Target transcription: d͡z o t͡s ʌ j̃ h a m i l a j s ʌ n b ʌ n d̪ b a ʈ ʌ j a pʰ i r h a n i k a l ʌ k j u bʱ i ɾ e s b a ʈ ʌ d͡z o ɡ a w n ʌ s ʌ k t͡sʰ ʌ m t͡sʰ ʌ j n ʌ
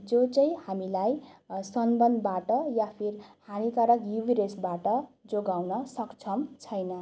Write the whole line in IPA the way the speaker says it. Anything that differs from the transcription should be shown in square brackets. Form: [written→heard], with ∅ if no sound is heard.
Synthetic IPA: d͡z o t͡s ʌ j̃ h a m i l a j s ʌ n b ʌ n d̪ b a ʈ ʌ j a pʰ i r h a n i k a [l→ɾ] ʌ k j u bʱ i ɾ e s b a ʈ ʌ d͡z o ɡ a w n ʌ s ʌ k t͡sʰ ʌ m t͡sʰ ʌ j n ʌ